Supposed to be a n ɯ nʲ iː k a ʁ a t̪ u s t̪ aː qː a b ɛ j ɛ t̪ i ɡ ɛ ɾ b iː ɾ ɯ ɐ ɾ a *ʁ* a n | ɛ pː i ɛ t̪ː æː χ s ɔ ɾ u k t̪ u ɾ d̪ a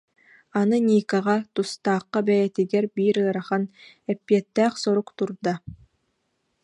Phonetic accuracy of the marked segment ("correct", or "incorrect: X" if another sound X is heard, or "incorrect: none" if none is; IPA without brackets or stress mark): incorrect: χ